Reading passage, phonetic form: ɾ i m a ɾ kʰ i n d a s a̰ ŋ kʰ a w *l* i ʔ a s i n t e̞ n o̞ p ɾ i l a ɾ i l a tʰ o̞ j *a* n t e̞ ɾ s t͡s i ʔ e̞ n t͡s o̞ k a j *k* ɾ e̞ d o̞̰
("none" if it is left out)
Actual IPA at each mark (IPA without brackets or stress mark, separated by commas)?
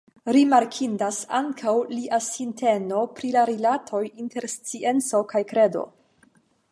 l, i, k